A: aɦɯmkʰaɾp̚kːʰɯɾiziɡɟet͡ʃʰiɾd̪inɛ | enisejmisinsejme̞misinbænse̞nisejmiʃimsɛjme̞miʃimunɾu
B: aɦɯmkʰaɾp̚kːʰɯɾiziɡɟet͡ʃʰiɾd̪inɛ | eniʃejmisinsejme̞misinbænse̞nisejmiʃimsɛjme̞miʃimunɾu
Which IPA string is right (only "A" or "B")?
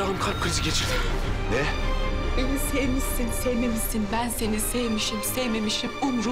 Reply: A